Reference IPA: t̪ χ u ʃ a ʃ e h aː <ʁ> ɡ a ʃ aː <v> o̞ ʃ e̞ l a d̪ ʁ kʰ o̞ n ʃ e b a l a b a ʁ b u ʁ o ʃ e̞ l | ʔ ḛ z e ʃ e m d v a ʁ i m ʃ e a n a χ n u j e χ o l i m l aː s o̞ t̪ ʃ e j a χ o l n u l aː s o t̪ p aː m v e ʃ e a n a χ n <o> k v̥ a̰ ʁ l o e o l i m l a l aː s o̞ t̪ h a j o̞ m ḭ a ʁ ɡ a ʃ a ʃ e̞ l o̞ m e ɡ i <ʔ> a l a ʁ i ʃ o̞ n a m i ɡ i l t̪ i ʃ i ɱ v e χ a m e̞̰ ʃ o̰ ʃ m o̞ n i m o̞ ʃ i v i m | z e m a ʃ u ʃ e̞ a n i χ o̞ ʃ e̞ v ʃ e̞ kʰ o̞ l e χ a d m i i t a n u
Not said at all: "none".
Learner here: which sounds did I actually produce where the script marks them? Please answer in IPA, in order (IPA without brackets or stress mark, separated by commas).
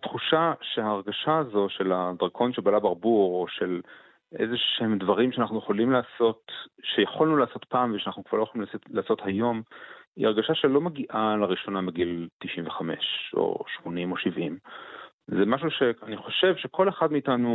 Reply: ʁ, z, u, ʔ